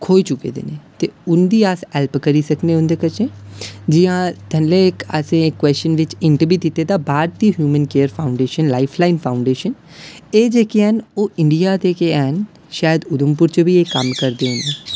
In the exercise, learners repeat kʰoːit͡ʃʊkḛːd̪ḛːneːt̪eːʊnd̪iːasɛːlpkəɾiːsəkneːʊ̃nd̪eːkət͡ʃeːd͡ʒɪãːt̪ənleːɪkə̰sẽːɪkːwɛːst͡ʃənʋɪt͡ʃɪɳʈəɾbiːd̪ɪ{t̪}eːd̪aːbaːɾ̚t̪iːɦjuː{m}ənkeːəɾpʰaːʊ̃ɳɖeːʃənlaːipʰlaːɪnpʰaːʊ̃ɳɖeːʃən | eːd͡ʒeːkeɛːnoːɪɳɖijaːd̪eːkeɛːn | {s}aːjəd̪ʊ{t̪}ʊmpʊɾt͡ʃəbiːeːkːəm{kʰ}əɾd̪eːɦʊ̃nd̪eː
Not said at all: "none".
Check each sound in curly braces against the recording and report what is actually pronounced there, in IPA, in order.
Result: t̪, m, ʃ, d̪, k

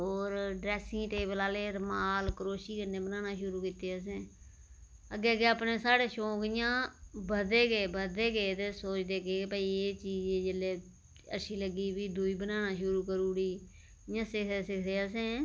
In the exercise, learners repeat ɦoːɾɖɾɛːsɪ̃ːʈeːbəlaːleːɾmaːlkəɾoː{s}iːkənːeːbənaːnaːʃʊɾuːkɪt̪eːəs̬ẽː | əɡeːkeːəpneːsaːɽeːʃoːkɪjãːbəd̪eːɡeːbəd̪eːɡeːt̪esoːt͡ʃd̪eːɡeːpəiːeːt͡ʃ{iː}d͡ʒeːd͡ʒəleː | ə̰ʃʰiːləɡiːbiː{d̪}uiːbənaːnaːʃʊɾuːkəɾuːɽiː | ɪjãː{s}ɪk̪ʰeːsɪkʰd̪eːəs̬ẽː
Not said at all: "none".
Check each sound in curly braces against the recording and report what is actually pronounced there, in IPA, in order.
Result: ʃ, iː, d̪, s

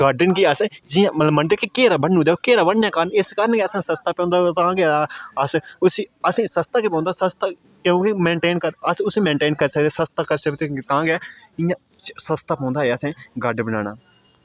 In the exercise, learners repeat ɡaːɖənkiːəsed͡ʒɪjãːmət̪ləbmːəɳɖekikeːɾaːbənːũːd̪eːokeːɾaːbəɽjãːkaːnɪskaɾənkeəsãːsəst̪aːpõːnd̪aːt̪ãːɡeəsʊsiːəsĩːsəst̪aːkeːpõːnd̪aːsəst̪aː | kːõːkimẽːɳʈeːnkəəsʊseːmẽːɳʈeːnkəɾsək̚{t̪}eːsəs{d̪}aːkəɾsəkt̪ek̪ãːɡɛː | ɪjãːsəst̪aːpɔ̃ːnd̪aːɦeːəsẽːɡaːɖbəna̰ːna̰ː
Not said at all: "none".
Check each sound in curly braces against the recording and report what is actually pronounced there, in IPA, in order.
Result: d̪, t̪

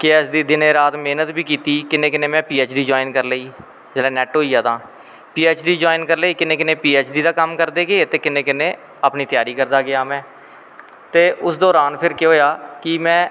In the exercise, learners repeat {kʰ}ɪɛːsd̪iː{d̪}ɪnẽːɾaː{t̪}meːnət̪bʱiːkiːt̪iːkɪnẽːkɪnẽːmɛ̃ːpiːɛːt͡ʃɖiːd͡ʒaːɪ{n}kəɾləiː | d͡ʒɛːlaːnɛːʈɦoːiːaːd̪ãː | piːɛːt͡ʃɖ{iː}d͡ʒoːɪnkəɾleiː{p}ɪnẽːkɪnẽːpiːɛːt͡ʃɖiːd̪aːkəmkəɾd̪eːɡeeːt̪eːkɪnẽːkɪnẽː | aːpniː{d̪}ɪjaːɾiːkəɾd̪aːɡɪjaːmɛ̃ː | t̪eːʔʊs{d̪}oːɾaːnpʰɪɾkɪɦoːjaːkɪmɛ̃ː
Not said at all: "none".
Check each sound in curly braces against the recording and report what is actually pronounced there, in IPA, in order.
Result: k, d̪, t̪, n, iː, k, t̪, d̪

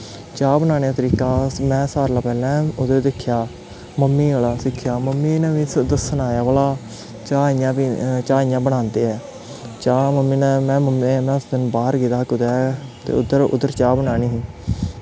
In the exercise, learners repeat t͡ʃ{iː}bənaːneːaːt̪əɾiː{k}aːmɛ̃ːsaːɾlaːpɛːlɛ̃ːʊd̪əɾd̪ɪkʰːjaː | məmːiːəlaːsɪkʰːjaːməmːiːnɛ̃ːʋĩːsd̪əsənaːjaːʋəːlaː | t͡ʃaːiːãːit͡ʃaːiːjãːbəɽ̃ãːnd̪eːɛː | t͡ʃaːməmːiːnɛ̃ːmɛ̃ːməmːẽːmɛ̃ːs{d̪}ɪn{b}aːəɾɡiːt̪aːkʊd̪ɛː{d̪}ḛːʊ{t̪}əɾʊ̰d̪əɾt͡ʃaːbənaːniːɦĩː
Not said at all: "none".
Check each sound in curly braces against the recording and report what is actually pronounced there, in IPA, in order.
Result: aː, k, d̪, b, t̪, d̪

